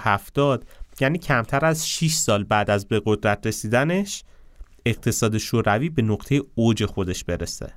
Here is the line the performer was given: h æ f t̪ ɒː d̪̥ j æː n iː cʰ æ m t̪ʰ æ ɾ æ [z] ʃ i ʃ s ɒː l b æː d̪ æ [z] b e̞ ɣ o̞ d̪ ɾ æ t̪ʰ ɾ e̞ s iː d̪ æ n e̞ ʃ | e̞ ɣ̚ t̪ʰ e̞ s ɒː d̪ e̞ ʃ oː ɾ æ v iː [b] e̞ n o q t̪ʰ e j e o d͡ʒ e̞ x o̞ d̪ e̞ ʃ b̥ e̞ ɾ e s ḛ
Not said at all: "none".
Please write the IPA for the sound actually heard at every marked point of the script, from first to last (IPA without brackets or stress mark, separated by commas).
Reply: z, z, b